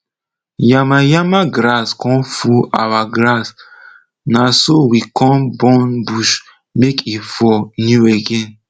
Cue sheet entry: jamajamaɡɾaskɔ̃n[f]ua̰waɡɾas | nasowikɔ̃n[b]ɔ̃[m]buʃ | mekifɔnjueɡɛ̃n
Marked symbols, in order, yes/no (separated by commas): yes, yes, no